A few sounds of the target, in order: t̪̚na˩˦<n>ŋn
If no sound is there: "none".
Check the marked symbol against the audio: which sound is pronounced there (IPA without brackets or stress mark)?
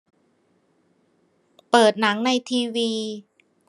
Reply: none